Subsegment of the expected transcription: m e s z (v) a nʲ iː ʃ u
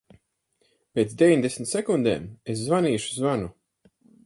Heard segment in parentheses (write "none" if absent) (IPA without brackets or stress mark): v